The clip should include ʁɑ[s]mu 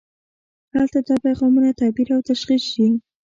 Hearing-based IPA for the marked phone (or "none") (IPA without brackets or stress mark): none